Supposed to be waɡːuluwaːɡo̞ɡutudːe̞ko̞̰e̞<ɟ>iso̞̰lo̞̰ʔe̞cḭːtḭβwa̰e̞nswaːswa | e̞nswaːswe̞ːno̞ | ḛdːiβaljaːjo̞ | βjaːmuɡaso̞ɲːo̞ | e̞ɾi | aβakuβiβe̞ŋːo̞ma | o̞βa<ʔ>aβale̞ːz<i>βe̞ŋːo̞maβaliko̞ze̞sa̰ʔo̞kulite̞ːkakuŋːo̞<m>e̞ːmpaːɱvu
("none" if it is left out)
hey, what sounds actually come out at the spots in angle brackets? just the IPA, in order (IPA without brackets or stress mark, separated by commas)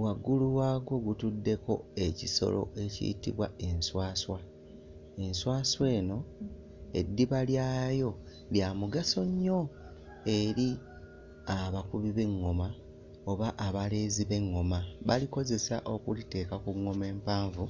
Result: c, ʔ, i, m